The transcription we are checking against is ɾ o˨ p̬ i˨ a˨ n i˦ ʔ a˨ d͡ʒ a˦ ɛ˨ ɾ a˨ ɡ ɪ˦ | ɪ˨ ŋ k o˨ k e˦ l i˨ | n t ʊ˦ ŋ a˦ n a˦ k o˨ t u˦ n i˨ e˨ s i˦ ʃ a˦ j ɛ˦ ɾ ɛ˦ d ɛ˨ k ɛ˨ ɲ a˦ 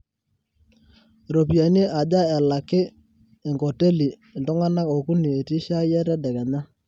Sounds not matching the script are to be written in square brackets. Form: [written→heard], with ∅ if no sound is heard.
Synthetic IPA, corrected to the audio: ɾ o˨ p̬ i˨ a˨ n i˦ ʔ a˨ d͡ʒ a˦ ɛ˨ [ɾ→l] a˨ [ɡ→k] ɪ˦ | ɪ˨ ŋ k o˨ [k→t] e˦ l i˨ | n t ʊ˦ ŋ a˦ n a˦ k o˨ [t→k] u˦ n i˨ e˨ [s→t] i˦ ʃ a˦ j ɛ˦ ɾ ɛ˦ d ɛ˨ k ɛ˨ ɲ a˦